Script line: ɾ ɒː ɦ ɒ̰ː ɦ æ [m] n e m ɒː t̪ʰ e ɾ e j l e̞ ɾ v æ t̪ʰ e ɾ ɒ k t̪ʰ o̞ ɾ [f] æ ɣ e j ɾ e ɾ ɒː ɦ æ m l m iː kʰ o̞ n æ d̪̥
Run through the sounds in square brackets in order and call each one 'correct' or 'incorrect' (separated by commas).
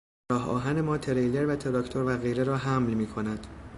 incorrect, incorrect